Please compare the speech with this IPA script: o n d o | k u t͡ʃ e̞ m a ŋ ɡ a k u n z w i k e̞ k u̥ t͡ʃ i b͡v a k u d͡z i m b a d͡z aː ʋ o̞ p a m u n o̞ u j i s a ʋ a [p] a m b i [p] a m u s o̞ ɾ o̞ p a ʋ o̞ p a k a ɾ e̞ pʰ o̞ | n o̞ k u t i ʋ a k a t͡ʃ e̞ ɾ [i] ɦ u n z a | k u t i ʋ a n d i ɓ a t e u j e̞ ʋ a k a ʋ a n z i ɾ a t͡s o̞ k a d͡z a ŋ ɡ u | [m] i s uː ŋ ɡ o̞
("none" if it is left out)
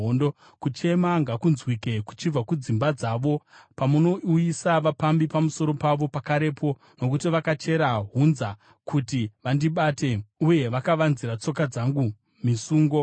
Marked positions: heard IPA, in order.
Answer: p, p, a, m

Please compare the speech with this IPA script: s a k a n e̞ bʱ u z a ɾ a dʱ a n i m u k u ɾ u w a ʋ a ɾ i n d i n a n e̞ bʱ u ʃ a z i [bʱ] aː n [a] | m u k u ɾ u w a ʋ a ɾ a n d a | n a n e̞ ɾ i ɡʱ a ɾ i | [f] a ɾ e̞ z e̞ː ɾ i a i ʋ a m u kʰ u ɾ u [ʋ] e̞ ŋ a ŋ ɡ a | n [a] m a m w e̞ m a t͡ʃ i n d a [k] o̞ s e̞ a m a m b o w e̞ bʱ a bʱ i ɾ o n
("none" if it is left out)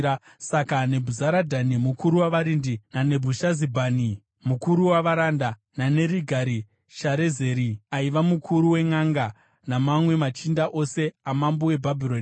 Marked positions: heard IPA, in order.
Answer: bʱ, i, ʃ, w, a, ʔ

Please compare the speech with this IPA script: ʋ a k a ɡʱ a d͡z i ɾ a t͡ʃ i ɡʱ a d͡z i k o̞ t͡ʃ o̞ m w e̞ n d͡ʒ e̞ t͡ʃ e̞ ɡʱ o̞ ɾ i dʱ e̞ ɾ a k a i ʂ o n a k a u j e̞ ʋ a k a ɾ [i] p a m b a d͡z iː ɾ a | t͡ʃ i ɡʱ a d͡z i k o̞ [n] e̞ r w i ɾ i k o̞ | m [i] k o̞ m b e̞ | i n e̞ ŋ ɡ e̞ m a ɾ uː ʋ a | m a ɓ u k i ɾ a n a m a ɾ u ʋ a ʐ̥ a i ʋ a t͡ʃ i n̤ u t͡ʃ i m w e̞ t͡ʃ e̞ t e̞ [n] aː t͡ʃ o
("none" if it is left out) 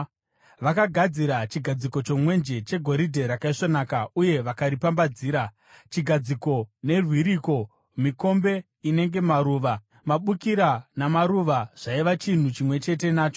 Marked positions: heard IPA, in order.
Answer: i, n, i, n

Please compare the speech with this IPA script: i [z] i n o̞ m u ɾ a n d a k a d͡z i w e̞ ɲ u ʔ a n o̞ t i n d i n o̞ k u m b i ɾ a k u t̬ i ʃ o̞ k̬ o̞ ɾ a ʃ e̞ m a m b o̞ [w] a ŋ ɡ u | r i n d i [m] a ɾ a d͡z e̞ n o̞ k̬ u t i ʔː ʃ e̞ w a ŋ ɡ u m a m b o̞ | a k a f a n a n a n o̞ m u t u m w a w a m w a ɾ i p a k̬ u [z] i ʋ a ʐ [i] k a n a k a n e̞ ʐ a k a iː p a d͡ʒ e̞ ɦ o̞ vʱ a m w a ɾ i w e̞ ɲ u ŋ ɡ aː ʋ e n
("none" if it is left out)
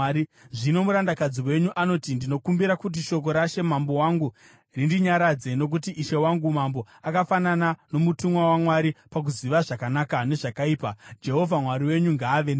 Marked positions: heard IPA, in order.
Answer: ʐ, w, ɲ, z, a

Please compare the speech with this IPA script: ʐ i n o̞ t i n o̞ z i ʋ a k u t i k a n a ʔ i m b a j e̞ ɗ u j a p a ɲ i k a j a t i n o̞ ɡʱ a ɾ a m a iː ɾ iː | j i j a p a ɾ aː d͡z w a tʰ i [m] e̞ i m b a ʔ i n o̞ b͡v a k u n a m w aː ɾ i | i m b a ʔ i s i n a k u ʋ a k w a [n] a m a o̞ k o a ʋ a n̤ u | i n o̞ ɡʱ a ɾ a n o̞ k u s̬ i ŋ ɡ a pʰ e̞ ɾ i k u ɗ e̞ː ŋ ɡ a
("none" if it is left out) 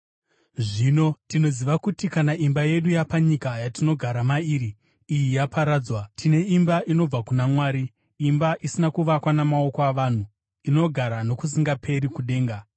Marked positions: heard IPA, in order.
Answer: n, n

